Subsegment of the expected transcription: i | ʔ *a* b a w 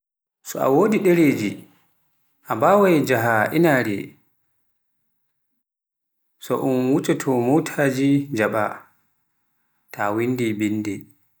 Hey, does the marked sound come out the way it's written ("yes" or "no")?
yes